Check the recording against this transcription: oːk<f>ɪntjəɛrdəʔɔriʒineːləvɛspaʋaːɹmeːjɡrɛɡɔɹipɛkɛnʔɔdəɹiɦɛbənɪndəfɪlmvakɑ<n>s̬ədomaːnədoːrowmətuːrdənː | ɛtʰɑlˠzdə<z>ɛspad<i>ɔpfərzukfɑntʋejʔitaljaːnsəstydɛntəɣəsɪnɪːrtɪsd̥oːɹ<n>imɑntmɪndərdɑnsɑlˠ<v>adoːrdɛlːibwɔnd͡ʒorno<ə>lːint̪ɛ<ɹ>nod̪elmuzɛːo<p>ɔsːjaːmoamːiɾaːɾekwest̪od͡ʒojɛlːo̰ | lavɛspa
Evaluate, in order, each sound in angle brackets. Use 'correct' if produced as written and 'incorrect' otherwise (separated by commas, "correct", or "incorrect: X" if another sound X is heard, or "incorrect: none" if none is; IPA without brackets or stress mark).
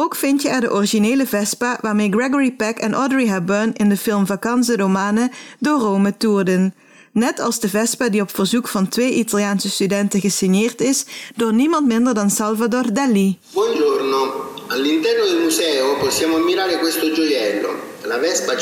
correct, correct, incorrect: v, correct, correct, correct, incorrect: a, incorrect: r, correct